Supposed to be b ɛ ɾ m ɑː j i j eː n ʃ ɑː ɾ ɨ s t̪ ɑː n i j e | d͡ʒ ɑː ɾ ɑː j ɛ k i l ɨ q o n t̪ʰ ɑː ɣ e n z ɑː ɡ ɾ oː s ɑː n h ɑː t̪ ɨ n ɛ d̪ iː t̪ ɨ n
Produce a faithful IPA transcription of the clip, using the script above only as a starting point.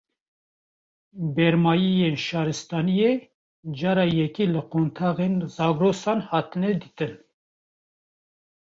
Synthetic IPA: b ɛ ɾ m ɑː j i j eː n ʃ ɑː ɾ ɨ s t̪ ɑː n i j e | d͡ʒ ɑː ɾ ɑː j ɛ k i l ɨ q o n t̪ʰ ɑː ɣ e n z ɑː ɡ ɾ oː s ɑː n h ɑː t̪ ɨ n ɛ d̪ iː t̪ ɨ n